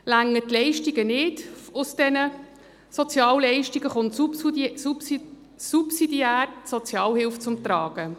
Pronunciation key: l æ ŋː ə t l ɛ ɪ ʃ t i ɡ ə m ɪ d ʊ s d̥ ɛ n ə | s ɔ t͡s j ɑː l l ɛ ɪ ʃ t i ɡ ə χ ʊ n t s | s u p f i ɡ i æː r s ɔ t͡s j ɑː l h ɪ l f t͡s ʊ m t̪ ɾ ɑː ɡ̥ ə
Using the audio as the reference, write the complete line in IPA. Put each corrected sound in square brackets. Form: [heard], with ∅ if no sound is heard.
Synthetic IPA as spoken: l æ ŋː ə t l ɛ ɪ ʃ t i ɡ ə [n] ɪ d ʊ s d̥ ɛ n ə | s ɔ t͡s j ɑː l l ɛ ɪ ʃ t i ɡ ə χ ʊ n t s | s u p [s] i [d] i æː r s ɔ t͡s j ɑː l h ɪ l f t͡s ʊ m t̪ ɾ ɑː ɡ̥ ə